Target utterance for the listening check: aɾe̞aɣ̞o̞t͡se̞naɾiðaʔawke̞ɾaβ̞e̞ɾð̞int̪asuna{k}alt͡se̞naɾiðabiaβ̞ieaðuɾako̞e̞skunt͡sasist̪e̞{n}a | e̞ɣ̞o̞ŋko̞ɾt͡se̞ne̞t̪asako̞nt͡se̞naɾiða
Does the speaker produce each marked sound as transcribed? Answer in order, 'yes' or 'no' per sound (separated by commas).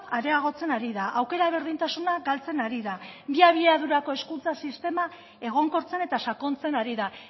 no, no